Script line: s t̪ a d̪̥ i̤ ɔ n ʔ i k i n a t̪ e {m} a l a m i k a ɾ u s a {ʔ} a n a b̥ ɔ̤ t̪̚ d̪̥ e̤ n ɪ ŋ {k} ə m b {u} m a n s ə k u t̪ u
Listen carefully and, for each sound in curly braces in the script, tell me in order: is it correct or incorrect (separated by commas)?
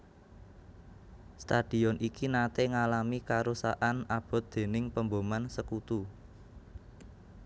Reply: incorrect, correct, incorrect, incorrect